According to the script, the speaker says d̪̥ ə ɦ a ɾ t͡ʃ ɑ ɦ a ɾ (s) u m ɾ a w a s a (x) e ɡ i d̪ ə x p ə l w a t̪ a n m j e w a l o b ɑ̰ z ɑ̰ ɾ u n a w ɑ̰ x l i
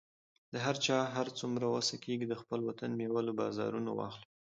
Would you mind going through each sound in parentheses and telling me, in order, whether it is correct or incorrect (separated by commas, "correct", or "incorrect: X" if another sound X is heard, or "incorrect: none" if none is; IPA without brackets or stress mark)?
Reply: incorrect: t͡s, incorrect: k